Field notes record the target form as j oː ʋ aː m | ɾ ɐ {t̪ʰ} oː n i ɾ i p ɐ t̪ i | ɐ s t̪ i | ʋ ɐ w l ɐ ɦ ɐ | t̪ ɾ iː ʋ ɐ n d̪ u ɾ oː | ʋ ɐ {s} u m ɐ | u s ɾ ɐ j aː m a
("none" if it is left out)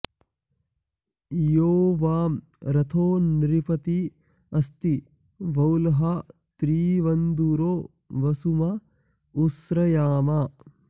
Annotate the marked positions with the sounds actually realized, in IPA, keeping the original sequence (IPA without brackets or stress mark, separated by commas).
t̪ʰ, s